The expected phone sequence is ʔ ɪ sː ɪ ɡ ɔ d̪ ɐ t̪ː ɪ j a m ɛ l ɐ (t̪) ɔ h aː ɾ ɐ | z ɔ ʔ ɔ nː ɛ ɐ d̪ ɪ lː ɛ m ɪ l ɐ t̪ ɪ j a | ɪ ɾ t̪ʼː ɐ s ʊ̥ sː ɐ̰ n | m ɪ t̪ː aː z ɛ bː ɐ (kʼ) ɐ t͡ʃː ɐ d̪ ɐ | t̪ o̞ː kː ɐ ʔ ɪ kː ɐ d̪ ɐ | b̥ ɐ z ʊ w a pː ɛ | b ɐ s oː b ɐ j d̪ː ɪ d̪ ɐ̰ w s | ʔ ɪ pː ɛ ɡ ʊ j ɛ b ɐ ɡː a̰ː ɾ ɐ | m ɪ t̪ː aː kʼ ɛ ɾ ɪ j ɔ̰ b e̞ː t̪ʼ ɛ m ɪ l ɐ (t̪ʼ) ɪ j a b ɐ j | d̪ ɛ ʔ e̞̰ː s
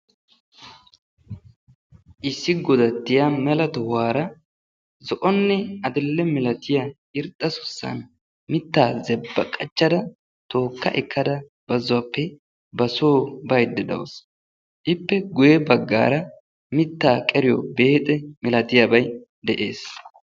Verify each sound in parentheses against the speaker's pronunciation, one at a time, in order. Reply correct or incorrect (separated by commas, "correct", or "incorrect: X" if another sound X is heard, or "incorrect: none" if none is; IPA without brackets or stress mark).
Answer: correct, correct, incorrect: t̪